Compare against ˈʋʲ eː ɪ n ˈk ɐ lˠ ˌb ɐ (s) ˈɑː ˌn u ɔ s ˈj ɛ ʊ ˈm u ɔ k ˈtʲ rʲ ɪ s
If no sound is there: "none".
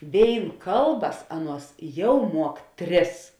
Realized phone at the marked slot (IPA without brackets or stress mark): s